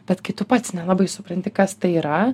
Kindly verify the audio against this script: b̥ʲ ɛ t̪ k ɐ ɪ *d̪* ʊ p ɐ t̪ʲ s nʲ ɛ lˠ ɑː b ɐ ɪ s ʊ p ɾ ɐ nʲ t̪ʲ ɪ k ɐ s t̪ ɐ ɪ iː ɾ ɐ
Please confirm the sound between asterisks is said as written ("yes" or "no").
no